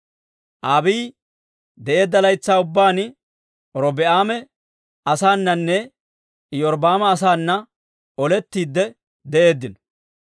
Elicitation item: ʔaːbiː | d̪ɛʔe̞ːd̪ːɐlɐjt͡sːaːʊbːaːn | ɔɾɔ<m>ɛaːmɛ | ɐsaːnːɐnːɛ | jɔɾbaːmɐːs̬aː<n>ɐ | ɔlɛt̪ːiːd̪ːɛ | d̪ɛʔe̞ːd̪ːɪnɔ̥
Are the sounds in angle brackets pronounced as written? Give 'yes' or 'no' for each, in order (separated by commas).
no, no